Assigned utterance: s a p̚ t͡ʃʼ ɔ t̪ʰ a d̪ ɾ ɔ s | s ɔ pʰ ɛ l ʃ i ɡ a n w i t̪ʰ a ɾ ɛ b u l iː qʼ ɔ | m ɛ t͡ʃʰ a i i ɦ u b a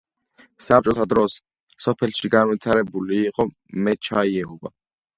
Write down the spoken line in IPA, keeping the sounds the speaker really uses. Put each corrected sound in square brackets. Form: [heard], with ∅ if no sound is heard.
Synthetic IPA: s a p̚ t͡ʃʼ ɔ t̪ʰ a d̪ ɾ ɔ s | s ɔ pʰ ɛ l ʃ i ɡ a n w i t̪ʰ a ɾ ɛ b u l iː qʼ ɔ | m ɛ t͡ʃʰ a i [ɛ] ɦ u b a